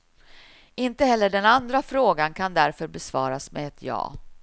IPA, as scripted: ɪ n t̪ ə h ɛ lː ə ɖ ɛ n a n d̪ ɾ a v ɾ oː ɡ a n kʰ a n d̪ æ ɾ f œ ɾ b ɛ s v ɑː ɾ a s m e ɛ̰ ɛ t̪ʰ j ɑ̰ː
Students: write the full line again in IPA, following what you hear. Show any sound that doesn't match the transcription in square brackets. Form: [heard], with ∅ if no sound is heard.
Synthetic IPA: ɪ n t̪ ə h ɛ lː ə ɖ ɛ n a n d̪ ɾ a [f] ɾ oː ɡ a n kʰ a n d̪ æ ɾ f œ ɾ b ɛ s v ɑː ɾ a s m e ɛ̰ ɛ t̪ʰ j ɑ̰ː